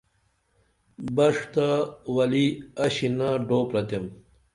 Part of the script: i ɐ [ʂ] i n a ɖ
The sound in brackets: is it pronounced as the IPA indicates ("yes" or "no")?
no